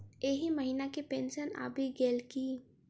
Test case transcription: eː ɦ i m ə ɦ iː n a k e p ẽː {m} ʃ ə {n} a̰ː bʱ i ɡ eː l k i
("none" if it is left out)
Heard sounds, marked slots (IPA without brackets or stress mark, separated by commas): n, n